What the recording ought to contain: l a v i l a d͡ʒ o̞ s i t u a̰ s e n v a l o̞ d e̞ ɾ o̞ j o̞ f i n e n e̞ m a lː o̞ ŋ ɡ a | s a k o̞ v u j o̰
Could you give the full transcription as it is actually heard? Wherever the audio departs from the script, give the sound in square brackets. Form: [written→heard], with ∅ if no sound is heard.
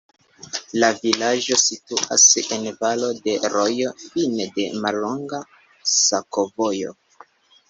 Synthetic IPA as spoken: l a v i l a d͡ʒ o̞ s i t u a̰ s e n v a l o̞ d e̞ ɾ o̞ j o̞ f i n e [n→d] e̞ m a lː o̞ ŋ ɡ a | s a k o̞ v [u→o] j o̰